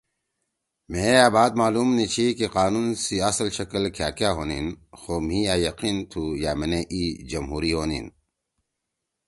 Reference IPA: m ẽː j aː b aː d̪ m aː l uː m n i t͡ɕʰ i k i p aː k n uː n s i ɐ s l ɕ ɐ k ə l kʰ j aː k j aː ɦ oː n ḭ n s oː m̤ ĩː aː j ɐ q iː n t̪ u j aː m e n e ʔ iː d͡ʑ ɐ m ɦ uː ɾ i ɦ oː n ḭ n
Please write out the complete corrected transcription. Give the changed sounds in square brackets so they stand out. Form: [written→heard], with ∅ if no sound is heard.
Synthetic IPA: m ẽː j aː b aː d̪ m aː l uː m n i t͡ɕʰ i k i [p→q] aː [k→∅] n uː n s i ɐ s l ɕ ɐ k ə l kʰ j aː k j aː ɦ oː n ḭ n [s→x] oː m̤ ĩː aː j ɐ q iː n [t̪→t̪ʰ] u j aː m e n e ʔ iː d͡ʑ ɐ m ɦ uː ɾ i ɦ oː n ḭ n